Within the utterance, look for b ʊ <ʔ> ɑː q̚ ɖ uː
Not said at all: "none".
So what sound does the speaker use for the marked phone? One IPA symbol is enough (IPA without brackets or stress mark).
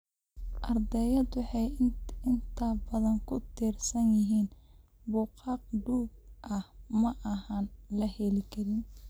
q